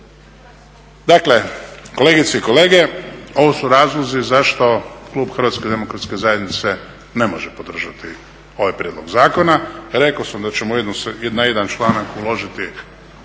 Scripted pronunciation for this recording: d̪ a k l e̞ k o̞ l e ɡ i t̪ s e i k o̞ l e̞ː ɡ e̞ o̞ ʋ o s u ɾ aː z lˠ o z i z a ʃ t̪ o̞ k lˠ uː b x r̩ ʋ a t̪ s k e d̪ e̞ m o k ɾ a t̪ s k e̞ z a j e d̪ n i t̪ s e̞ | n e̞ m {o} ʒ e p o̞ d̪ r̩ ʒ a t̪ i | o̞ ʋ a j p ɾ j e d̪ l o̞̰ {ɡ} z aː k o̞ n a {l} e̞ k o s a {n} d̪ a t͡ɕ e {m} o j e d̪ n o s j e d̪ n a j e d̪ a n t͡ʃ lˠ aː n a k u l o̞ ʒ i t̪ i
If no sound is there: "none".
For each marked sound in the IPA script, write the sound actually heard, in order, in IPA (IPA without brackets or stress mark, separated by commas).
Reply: o, ɡ, ɾ, m, m